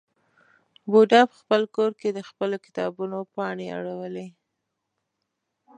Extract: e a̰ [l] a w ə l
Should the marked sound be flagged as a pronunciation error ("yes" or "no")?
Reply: yes